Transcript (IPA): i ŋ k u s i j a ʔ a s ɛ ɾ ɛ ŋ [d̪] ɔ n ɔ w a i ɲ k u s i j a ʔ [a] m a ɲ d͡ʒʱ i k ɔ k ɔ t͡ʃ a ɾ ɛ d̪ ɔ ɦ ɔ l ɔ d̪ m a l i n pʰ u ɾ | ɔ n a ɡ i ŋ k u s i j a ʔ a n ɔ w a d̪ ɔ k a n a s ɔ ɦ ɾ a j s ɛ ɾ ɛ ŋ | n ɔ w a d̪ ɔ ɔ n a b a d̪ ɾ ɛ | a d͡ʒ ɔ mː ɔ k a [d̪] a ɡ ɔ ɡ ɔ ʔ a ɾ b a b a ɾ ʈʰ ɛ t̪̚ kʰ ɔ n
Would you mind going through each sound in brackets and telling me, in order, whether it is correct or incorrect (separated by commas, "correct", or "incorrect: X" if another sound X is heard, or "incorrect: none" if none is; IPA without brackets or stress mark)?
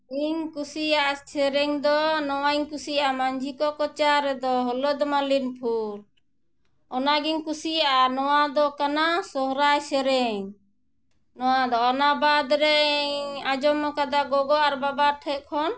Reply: correct, correct, correct